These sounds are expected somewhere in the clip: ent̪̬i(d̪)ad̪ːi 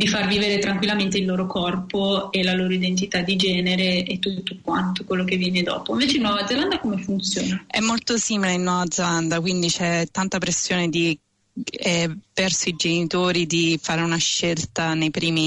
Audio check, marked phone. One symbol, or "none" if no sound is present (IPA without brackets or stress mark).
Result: t̪